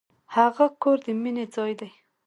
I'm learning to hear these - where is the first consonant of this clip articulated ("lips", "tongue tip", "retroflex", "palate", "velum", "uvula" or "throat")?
throat